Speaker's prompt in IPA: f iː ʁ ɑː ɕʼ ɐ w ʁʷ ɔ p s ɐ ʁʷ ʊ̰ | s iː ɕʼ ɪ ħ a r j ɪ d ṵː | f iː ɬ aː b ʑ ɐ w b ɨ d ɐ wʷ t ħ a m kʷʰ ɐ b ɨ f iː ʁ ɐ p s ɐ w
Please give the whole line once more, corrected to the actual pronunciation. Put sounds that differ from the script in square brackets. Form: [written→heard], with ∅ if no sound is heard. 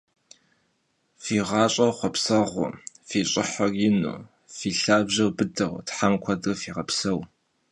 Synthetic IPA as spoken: f iː ʁ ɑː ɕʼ ɐ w [ʁʷ→χʷ] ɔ p s ɐ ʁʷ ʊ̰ | [s→f] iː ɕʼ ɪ ħ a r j ɪ [d→n] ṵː | f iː ɬ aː b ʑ ɐ w b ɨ d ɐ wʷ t ħ a m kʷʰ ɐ [b→d] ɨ f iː ʁ ɐ p s ɐ w